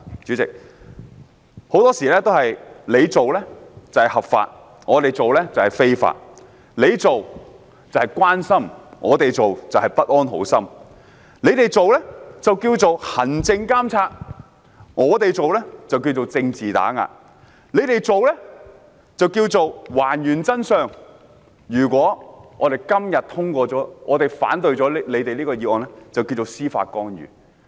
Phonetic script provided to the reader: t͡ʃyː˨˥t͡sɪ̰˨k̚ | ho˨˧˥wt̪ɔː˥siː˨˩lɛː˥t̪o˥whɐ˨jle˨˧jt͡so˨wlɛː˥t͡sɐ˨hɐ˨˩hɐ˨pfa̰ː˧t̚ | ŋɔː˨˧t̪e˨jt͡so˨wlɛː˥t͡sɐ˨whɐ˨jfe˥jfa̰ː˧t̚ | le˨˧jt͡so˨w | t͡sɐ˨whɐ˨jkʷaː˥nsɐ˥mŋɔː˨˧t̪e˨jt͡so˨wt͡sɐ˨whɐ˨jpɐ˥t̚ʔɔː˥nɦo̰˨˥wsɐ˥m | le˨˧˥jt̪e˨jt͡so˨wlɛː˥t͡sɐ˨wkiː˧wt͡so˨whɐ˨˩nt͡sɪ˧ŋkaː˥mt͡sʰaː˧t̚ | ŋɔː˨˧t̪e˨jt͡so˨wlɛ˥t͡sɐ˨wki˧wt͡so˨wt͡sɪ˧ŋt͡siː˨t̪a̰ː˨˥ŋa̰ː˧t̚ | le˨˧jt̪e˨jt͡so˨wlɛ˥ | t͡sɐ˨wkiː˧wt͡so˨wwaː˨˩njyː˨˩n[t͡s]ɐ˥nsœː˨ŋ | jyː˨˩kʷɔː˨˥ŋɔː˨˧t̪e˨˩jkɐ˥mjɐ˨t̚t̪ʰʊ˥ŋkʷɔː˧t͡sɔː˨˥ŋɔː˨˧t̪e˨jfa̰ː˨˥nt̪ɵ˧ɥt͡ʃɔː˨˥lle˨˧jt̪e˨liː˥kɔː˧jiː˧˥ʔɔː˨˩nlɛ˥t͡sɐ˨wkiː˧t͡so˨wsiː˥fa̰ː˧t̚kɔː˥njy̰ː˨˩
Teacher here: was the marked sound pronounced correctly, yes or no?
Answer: yes